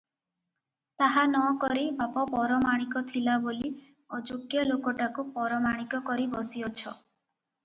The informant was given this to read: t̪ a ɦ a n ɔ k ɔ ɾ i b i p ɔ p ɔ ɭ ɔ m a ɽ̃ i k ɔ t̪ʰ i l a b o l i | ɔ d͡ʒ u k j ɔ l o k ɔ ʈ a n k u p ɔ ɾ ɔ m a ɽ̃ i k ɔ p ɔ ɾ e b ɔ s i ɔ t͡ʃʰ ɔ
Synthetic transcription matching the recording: t̪ a ɦ a n ɔ k ɔ ɾ i b a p ɔ p ɔ ɾ ɔ m a ɽ̃ i k ɔ t̪ʰ i l a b o l i | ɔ d͡ʒ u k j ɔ l o k ɔ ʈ a k u p ɔ ɾ ɔ m a ɽ̃ i k ɔ k ɔ ɾ i b ɔ s i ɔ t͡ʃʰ ɔ